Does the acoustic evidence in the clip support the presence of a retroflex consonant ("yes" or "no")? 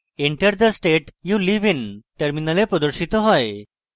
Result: yes